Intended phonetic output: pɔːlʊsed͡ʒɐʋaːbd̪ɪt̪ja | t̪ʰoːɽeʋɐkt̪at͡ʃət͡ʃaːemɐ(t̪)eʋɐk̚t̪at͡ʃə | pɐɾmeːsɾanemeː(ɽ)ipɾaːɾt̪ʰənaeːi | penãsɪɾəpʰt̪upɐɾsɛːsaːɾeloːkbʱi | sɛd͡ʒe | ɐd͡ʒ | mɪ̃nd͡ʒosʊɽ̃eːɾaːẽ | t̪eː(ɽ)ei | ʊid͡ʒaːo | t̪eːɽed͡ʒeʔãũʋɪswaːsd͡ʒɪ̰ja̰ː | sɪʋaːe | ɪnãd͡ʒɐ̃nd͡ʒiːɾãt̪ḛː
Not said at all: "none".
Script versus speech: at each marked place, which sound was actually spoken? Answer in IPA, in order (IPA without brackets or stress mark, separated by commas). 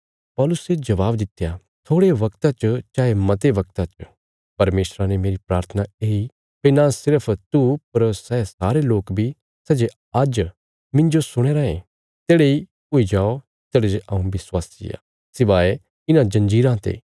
t̪, ɾ, ɽ